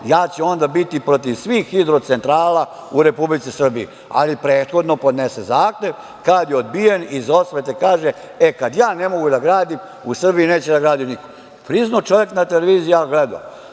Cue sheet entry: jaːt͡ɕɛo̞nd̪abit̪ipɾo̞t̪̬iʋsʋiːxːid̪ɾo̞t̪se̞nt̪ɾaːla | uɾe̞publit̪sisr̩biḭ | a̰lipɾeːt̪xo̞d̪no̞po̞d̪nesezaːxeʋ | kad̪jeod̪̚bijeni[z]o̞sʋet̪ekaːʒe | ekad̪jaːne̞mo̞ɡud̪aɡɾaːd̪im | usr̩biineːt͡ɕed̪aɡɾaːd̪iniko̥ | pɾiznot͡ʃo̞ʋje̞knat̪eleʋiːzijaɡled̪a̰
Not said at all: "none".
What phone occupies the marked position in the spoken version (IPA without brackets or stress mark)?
z